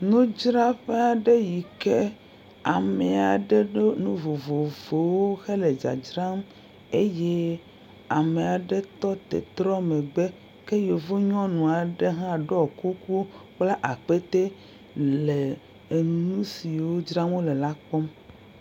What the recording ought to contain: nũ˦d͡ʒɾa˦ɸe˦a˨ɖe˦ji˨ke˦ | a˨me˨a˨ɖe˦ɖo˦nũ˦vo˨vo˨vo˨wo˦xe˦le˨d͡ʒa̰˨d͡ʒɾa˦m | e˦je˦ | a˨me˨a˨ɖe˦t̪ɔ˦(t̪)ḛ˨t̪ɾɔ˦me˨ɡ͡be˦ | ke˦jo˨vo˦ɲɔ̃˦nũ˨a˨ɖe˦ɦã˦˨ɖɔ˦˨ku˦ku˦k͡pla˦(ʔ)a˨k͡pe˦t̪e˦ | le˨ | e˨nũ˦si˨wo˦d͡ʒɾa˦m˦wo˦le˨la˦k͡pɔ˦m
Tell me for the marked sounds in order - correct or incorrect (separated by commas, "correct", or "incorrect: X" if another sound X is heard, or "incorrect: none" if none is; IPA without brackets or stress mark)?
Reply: correct, correct